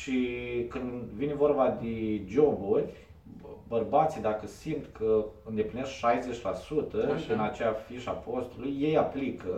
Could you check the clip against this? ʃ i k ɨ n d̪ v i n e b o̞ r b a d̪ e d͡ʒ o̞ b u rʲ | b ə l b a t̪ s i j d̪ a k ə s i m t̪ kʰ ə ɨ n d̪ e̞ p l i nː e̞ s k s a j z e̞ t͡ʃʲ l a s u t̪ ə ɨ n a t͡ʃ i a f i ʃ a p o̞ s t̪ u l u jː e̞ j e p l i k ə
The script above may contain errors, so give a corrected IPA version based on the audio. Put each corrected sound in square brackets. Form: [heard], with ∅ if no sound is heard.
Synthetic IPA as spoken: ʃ i k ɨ n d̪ v i n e [v] o̞ r b a d̪ e d͡ʒ o̞ b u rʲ | b ə [r] b a t̪ s i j d̪ a k ə s i m t̪ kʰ ə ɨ n d̪ e̞ p l i [n] e̞ s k [ʃ] a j z e̞ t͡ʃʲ l a s u t̪ ə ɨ n a t͡ʃ [e] a f i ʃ a p o̞ s t̪ u l u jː e̞ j [a] p l i k ə